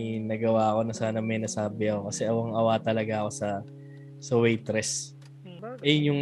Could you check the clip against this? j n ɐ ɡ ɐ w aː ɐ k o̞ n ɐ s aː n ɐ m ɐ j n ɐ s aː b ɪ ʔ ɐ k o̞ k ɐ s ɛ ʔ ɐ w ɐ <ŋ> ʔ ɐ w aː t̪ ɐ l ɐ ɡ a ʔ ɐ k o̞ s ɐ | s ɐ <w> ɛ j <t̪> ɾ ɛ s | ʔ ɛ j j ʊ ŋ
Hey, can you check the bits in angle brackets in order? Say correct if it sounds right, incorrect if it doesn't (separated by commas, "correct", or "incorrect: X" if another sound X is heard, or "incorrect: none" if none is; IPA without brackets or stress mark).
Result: correct, correct, correct